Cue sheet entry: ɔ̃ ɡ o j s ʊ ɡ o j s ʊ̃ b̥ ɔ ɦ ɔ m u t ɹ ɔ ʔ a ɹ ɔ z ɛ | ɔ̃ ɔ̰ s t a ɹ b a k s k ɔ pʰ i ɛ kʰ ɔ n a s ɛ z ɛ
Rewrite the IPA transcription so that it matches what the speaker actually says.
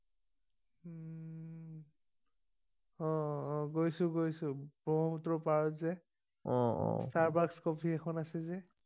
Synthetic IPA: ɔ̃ ɡ o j s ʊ ɡ o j s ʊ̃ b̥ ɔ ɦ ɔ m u t ɹ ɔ p a ɹ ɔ z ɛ | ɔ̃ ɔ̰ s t a ɹ b a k s k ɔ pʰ i ɛ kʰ ɔ n a s ɛ z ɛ